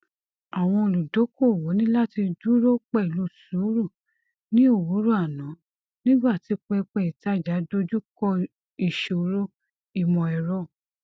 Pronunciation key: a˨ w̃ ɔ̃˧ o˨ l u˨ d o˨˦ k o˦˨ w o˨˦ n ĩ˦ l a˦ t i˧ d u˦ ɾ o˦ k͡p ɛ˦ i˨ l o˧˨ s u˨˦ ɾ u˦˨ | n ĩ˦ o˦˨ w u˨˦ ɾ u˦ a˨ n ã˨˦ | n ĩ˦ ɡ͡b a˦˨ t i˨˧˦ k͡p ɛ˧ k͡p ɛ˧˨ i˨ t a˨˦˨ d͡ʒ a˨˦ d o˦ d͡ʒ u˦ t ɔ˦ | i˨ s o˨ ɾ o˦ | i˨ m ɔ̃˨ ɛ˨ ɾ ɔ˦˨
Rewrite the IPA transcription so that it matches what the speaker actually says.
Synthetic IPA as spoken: a˨ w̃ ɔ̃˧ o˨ l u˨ d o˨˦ k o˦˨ w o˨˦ n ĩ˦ l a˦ t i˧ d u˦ ɾ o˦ k͡p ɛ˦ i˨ l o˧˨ s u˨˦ ɾ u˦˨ | n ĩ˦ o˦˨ w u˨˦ ɾ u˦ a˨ n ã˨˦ | n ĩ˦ ɡ͡b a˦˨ t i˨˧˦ k͡p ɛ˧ k͡p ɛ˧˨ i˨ t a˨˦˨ d͡ʒ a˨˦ d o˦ d͡ʒ u˦ k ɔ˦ | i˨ ʃ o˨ ɾ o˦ | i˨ m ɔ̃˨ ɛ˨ ɾ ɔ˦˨